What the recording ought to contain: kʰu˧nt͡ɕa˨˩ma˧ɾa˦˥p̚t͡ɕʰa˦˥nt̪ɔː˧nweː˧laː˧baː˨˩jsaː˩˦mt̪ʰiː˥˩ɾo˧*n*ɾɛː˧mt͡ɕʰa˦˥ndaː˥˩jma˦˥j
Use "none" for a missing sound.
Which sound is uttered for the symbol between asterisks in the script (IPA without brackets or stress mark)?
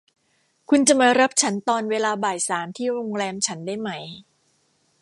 ŋ